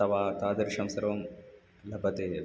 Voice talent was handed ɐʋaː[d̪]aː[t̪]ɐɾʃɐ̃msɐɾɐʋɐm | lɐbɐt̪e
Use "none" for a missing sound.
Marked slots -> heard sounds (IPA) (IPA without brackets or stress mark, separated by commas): t̪, d̪